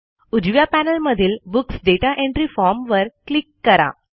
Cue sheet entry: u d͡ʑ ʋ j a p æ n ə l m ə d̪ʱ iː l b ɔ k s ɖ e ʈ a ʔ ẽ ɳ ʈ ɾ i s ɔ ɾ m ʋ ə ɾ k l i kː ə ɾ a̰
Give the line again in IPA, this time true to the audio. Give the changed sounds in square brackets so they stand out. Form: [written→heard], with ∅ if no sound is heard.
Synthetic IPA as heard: u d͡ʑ ʋ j a p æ n ə l m ə d̪ʱ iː l b [ɔ→u] k s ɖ e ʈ a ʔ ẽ ɳ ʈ ɾ i [s→f] ɔ ɾ m ʋ ə ɾ k l i kː ə ɾ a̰